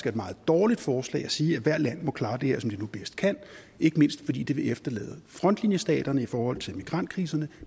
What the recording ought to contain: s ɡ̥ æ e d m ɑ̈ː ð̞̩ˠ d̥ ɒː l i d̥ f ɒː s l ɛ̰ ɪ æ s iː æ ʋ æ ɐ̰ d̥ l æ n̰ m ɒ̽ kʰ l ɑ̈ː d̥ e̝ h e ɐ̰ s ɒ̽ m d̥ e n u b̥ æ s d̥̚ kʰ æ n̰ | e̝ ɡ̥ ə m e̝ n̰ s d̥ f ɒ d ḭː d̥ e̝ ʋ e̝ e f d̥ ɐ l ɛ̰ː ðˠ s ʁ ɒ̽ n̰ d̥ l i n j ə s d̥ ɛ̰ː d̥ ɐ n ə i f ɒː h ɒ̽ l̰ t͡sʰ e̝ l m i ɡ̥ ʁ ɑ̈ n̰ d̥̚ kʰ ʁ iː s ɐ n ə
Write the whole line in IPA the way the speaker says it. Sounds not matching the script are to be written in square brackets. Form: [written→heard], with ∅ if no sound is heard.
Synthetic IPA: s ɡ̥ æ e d m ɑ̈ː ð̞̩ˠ d̥ ɒː l i d̥ f ɒː s l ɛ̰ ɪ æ s iː æ ʋ æ ɐ̰ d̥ l æ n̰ m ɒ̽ kʰ l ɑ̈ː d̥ e̝ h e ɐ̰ s ɒ̽ m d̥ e n u b̥ [æ→e] s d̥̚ kʰ æ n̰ | e̝ ɡ̥ ə m e̝ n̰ s d̥ f ɒ d ḭː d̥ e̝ ʋ e̝ e f d̥ ɐ l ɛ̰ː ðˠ [s→f] ʁ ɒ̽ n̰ d̥ l i n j ə s d̥ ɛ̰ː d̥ ɐ n ə i f ɒː h ɒ̽ l̰ t͡sʰ e̝ l m i ɡ̥ ʁ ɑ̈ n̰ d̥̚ kʰ ʁ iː s ɐ n ə